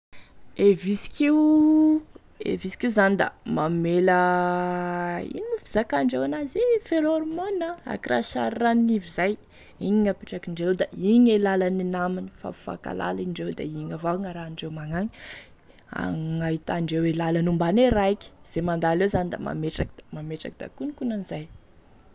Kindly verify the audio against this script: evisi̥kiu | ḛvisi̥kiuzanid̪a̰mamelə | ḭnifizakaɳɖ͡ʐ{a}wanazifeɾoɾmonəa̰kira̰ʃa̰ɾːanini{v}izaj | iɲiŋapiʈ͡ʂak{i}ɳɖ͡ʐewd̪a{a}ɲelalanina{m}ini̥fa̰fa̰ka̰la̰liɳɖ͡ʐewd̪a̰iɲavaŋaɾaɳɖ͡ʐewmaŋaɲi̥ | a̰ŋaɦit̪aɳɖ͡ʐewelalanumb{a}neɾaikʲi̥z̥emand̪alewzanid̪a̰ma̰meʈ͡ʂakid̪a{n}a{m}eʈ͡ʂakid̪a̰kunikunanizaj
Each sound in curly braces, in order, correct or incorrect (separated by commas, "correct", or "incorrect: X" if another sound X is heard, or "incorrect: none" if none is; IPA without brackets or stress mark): incorrect: e, correct, correct, incorrect: i, correct, correct, incorrect: m, correct